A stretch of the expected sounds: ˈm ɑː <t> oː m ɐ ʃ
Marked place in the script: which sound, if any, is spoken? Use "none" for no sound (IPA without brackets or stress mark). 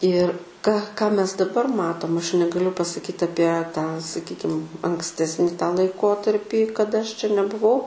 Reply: t